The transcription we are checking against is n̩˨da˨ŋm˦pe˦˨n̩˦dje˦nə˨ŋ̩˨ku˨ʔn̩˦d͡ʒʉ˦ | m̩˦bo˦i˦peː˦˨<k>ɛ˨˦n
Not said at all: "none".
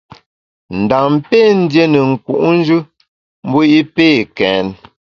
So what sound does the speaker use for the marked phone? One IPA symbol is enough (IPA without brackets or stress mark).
k